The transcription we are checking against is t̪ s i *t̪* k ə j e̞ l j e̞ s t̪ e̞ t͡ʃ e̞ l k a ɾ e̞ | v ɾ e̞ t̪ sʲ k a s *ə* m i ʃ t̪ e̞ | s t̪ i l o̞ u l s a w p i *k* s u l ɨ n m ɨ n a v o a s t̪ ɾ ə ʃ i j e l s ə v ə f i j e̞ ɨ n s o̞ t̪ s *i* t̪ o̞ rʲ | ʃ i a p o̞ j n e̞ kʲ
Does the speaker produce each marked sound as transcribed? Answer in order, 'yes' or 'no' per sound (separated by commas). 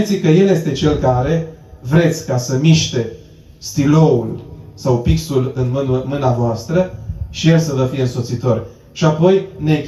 no, yes, yes, yes